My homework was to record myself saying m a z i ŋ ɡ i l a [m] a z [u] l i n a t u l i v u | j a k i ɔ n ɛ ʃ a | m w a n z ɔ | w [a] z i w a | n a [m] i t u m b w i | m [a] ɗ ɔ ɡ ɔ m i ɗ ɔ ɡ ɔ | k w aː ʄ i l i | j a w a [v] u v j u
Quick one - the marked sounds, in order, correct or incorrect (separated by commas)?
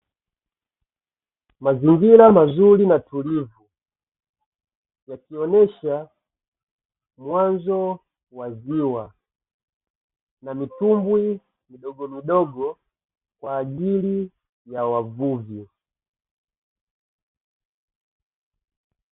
correct, correct, correct, correct, incorrect, correct